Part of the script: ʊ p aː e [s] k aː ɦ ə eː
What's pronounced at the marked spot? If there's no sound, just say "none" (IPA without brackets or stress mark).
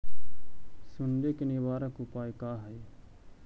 none